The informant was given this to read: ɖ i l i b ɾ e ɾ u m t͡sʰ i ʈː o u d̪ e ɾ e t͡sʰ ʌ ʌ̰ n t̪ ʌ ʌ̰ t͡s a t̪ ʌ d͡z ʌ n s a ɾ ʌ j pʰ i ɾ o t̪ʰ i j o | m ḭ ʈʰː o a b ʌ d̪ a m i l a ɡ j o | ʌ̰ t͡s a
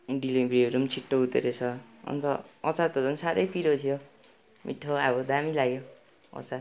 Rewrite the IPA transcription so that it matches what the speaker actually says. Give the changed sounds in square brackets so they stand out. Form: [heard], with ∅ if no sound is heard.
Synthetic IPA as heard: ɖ i l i b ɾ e ɾ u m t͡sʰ i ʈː o u [t̪] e ɾ e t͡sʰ ʌ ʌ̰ n t̪ ʌ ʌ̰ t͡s a t̪ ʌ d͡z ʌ n s a ɾ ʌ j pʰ i ɾ o t̪ʰ i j o | m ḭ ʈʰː o a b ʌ d̪ a m i l a ɡ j o | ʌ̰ t͡s a